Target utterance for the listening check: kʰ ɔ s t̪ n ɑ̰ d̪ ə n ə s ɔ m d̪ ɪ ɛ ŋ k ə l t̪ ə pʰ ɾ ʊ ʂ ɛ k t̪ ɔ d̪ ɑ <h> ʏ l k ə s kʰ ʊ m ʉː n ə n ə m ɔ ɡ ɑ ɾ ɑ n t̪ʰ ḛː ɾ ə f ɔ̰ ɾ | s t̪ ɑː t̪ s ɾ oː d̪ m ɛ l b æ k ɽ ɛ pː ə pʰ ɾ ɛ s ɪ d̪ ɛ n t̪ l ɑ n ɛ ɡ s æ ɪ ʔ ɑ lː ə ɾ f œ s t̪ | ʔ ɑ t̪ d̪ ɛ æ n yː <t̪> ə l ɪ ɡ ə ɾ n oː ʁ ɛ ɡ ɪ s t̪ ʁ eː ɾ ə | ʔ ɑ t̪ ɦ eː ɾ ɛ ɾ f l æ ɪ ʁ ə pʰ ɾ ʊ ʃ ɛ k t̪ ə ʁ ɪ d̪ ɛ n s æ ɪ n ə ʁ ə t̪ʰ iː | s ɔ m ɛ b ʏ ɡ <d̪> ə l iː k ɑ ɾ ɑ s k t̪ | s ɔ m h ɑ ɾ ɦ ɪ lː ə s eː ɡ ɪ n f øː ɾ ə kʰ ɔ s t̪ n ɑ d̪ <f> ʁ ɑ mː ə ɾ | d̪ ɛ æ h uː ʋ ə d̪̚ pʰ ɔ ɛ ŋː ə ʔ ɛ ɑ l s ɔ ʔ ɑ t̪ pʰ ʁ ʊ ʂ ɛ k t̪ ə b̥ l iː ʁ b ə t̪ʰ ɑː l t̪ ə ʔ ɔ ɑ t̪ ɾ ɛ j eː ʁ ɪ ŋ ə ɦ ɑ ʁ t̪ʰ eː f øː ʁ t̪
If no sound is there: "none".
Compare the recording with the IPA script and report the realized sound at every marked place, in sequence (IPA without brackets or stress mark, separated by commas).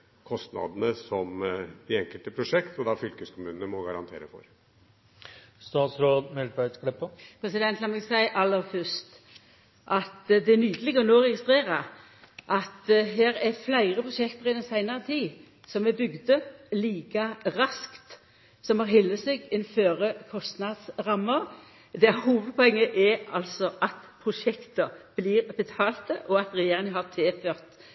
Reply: f, d̪, d̪, s